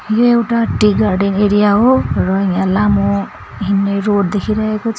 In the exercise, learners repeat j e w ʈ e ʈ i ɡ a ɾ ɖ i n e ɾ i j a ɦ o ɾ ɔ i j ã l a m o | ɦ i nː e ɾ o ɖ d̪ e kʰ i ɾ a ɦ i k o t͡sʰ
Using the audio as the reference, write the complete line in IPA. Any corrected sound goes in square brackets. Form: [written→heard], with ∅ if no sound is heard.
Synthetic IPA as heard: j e w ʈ [e→a] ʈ i ɡ a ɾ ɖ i n e ɾ i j a ɦ o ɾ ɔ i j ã l a m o | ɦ i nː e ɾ o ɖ d̪ e kʰ i ɾ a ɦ [i→e] k o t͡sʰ